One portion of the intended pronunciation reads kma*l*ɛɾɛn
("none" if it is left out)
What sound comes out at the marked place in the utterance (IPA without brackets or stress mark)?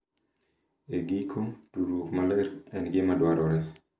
l